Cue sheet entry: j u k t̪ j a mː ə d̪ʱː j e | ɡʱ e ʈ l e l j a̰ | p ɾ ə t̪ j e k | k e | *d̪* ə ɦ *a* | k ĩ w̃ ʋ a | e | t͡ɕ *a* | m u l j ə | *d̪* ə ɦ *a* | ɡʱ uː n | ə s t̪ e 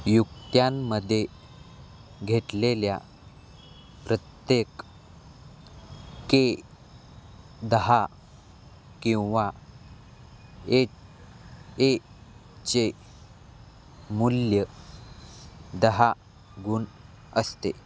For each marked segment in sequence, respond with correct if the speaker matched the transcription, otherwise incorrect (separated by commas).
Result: correct, correct, incorrect, correct, correct